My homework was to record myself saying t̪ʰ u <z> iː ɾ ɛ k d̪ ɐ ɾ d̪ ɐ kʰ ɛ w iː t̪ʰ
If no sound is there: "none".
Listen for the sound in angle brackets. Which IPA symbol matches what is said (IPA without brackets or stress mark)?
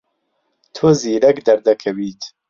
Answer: z